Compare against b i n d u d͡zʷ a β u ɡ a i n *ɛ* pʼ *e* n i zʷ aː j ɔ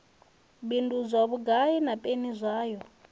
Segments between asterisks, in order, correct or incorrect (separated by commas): incorrect, correct